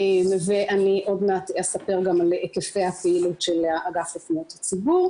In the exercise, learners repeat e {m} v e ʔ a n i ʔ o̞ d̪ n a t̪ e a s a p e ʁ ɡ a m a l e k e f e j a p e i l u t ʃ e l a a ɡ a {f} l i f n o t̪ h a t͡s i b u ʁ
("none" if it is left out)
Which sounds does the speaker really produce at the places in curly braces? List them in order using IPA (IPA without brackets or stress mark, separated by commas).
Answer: m, f